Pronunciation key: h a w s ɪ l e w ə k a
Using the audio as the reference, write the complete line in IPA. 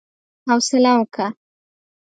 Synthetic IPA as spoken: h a w s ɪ l a w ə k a